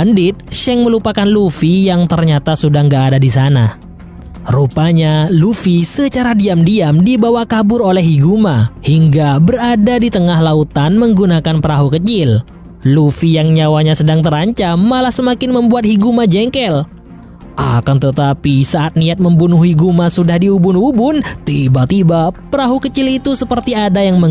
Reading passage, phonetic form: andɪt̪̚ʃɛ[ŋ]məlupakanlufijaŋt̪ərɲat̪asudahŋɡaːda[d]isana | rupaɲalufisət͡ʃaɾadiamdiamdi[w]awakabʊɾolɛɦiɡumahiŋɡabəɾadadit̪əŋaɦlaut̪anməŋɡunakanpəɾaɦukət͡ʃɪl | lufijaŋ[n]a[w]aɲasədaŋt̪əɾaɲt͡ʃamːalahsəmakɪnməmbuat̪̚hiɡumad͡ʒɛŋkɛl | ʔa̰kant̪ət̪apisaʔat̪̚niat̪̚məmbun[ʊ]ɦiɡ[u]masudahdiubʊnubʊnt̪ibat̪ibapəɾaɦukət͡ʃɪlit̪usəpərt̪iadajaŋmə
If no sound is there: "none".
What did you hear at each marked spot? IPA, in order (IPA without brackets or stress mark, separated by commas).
ŋ, d, b, ɲ, w, u, u